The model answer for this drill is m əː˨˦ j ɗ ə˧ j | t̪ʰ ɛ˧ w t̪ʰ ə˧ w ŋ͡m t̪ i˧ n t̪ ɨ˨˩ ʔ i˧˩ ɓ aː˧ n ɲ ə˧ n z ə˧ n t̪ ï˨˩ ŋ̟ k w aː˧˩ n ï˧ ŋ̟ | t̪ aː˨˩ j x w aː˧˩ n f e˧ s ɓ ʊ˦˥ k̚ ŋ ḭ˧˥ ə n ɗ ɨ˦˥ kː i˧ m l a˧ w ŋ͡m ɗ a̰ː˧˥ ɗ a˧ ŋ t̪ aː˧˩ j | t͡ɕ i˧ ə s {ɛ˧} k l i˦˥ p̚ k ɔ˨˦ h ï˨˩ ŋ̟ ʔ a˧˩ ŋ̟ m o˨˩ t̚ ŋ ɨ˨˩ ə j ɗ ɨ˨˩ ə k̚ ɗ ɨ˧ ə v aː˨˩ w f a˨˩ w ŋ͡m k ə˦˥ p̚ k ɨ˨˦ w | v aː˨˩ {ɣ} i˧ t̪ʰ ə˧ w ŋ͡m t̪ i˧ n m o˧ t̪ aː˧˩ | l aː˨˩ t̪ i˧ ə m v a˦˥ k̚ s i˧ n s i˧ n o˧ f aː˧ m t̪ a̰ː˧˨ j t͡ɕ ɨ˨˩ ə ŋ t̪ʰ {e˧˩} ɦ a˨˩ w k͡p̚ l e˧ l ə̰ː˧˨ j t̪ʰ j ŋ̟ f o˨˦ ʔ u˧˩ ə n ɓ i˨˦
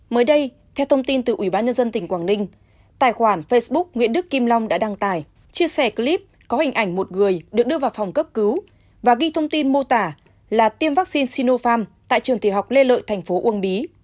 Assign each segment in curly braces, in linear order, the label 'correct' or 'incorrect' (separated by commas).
incorrect, correct, incorrect